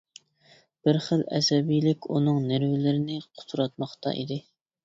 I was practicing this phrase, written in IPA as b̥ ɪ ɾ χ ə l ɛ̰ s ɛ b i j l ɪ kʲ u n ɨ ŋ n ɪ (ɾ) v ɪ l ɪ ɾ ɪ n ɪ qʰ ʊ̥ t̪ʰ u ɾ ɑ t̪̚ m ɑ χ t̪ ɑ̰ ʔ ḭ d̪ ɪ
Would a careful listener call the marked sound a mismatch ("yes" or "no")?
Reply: no